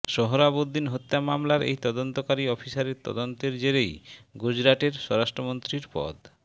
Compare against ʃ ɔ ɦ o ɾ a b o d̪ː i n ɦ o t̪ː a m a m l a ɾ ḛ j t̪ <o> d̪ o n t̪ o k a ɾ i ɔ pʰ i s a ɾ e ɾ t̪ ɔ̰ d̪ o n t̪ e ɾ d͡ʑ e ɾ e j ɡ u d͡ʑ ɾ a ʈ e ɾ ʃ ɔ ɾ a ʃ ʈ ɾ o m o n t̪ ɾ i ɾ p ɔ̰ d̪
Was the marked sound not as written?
yes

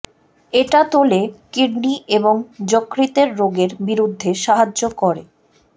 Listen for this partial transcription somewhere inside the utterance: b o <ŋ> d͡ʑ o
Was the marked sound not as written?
no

